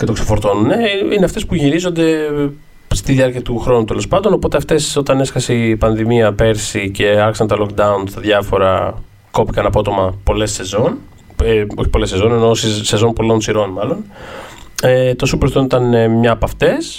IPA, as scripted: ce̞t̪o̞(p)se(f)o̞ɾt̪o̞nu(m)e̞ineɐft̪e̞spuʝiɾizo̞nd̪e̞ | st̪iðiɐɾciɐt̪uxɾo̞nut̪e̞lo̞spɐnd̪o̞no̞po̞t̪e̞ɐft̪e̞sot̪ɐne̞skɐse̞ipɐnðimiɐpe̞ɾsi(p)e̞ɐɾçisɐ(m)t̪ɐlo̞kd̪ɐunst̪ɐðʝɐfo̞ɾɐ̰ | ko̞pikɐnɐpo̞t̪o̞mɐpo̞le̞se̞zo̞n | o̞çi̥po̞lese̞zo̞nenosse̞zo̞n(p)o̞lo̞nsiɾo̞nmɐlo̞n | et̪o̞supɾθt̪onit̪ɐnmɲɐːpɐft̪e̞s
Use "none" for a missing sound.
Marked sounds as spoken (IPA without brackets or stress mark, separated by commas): k, f, n, c, n, p